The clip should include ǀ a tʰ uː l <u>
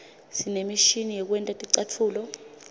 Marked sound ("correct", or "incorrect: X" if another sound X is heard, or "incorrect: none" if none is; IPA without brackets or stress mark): incorrect: ɔ